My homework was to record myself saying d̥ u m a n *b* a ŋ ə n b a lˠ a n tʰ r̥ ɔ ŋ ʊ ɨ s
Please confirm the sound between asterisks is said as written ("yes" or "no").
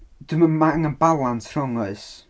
no